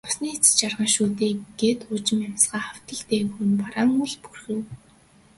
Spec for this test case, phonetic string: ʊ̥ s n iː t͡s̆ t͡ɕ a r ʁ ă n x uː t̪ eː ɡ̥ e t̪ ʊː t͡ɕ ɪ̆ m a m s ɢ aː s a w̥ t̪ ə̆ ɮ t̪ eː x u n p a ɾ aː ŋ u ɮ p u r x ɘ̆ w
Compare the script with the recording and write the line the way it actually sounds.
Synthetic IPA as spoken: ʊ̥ s n iː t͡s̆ t͡ɕ a r ʁ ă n ʃ uː t̪ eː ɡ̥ e t̪ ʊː t͡ɕ ɪ̆ m a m s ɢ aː χ a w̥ t̪ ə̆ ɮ t̪ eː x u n p a ɾ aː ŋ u ɮ p u r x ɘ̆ w